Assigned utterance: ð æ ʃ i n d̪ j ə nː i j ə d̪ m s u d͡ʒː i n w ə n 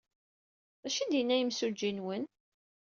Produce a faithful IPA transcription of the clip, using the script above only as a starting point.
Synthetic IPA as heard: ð æ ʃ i n d̪ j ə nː æ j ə m s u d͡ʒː i n w ə n